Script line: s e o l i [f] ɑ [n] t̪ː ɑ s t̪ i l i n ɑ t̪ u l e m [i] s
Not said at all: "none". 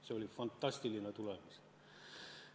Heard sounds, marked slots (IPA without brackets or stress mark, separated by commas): f, n, i